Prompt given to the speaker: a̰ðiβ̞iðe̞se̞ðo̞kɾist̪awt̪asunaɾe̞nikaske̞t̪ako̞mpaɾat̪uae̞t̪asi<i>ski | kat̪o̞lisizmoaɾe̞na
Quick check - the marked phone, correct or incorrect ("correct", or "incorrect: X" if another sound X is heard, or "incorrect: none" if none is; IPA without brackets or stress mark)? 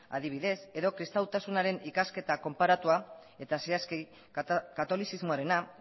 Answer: incorrect: a